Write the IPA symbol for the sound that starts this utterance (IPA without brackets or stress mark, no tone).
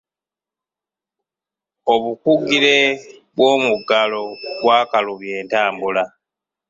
o